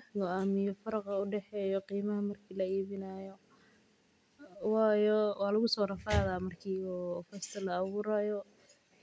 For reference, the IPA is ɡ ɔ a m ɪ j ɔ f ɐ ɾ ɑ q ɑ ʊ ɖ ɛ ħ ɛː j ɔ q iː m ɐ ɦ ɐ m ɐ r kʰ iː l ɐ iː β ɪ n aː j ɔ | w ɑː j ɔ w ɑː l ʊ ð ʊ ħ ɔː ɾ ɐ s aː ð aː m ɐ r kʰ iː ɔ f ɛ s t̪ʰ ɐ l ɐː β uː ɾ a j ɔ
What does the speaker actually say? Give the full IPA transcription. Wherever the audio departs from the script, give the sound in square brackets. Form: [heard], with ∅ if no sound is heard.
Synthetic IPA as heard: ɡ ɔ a m ɪ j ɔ f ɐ ɾ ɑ q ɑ ʊ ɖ ɛ ħ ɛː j ɔ q iː m ɐ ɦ ɐ m ɐ r kʰ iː l ɐ iː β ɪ n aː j ɔ | w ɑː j ɔ w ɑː l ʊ [ɣ] ʊ [s] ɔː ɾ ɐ [f] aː ð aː m ɐ r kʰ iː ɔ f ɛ s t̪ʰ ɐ l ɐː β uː ɾ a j ɔ